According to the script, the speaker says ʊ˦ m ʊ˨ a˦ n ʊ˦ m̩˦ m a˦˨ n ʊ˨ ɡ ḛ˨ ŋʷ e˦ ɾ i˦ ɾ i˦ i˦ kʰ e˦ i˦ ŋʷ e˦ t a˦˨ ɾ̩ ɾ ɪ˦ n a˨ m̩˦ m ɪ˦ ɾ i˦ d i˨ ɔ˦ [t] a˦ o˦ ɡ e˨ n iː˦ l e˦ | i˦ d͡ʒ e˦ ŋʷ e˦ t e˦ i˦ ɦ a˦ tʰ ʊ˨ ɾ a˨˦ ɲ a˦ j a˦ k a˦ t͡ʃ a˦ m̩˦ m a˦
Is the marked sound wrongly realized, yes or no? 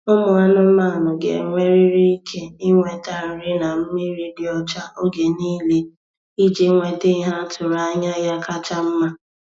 yes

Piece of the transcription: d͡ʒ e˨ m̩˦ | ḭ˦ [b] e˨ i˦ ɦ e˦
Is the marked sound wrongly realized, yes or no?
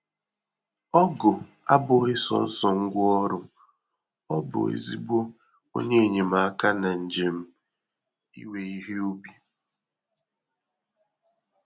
yes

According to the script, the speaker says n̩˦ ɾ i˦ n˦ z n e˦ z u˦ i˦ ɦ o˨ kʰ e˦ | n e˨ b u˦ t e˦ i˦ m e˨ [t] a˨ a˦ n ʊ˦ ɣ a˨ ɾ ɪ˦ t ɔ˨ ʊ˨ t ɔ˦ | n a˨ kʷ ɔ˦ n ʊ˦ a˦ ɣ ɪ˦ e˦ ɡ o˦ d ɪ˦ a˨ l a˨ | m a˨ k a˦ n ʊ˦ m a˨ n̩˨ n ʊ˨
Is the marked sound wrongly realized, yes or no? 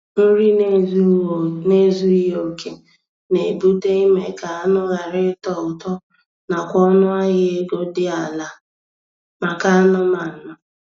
yes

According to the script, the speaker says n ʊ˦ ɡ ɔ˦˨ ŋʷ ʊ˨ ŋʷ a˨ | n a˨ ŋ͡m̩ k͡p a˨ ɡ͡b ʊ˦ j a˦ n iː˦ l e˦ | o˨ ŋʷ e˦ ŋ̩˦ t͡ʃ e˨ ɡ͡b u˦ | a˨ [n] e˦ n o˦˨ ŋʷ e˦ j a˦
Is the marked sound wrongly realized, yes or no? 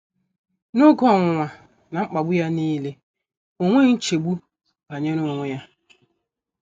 yes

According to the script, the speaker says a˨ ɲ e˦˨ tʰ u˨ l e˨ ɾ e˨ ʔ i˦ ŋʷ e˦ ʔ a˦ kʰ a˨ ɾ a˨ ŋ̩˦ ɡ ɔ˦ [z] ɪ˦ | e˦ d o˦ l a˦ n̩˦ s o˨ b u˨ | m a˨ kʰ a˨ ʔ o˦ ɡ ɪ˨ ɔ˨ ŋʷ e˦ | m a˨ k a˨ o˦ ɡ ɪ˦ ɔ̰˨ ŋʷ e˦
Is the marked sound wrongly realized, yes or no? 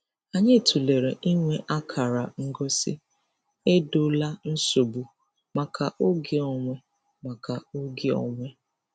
yes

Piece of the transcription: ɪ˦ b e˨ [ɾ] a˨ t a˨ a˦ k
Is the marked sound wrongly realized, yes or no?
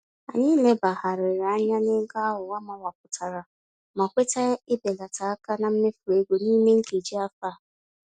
yes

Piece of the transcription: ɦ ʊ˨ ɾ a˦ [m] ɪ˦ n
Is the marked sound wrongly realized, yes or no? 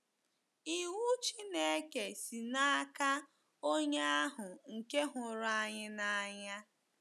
yes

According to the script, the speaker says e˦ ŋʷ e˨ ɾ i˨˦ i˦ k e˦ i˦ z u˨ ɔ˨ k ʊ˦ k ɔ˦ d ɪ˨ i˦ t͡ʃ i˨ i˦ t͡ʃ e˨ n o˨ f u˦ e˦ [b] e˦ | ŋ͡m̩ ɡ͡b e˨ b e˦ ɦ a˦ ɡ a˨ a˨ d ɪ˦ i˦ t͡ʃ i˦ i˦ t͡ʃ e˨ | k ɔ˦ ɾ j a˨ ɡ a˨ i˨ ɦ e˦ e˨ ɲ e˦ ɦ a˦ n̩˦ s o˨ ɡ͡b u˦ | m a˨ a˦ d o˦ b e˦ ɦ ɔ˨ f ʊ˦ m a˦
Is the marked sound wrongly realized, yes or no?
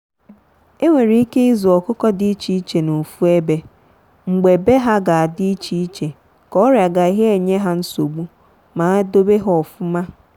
no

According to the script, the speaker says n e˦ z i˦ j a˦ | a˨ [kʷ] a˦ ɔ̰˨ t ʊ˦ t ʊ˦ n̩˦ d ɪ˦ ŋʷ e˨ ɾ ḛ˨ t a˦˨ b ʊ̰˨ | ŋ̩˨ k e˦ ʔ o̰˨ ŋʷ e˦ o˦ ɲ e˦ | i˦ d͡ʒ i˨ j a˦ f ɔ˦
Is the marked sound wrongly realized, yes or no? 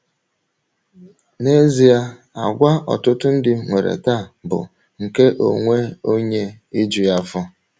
yes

